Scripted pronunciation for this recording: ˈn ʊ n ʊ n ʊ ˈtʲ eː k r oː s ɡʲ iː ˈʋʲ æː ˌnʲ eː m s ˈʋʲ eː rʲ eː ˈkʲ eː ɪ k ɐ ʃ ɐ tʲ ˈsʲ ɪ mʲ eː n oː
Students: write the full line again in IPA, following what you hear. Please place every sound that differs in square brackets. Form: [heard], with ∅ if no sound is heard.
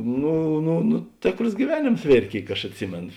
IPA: ˈn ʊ n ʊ n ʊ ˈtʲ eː k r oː s ɡʲ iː ˈʋʲ æː ˌnʲ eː m s ˈʋʲ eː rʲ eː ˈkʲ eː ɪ k ɐ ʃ ɐ tʲ ˈsʲ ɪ mʲ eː n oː